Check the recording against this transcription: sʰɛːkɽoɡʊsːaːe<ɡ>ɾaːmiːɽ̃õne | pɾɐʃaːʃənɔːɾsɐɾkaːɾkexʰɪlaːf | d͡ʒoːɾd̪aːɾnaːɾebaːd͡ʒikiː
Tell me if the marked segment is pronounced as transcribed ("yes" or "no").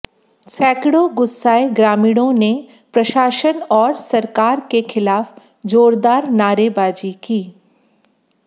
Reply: yes